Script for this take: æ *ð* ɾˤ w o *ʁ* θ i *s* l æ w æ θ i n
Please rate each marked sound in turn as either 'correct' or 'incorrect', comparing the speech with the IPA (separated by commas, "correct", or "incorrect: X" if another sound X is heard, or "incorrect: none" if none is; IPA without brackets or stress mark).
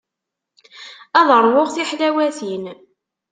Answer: correct, correct, incorrect: ħ